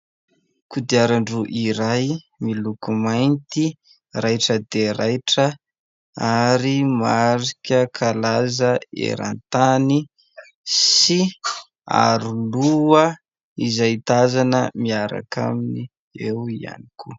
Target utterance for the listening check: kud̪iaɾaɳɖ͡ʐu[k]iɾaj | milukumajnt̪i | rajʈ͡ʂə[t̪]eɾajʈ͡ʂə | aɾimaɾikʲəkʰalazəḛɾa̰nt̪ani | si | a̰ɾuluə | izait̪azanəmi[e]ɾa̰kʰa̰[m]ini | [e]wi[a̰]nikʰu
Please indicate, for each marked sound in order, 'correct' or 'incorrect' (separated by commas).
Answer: incorrect, incorrect, incorrect, correct, correct, correct